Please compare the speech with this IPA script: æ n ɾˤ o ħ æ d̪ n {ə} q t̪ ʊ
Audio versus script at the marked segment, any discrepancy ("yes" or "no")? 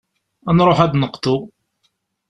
no